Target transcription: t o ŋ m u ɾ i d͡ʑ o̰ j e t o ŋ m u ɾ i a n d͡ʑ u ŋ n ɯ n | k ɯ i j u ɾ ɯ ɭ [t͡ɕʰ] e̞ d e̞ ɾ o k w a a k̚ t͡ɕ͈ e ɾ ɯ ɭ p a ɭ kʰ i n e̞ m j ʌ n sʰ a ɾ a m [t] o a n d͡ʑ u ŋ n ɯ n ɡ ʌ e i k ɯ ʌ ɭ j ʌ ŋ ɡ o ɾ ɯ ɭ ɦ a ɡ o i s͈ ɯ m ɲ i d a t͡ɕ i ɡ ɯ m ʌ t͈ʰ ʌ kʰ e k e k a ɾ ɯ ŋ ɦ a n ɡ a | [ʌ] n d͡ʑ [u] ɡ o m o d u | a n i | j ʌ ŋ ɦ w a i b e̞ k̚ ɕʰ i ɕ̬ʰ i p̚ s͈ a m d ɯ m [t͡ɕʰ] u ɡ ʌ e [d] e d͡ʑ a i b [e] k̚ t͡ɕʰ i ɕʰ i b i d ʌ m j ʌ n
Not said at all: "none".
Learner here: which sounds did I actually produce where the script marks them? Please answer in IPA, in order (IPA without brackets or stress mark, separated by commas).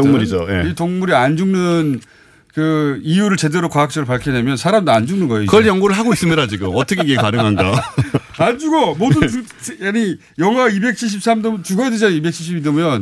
t͡ɕ, d, a, u, t͡ɕ, d, e